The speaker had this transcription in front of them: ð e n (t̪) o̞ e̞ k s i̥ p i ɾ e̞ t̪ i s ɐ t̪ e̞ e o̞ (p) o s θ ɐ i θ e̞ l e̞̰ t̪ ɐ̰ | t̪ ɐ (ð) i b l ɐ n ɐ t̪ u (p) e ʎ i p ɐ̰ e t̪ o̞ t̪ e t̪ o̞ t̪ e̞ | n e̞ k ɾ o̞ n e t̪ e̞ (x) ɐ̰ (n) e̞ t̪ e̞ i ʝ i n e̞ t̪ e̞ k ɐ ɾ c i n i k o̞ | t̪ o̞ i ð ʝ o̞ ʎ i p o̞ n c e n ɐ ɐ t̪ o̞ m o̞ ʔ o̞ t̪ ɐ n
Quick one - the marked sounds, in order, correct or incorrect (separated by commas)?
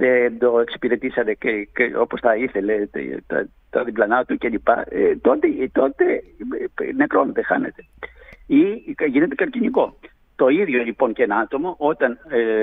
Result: incorrect, correct, correct, incorrect, correct, correct